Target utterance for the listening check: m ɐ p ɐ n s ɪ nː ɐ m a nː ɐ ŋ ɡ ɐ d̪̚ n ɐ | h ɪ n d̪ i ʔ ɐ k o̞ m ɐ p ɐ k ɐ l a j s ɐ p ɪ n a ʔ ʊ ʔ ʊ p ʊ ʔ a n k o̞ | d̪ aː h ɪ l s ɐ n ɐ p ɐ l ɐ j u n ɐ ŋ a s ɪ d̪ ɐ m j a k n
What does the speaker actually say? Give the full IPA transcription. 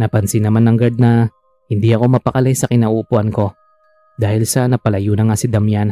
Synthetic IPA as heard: n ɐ p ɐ n s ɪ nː ɐ m a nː ɐ ŋ ɡ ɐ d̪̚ n ɐ | h ɪ n d̪ i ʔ ɐ k o̞ m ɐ p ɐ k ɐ l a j s ɐ k ɪ n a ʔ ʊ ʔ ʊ p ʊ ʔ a n k o̞ | d̪ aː h ɪ l s ɐ n ɐ p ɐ l ɐ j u n ɐ ŋ a s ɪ d̪ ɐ m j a n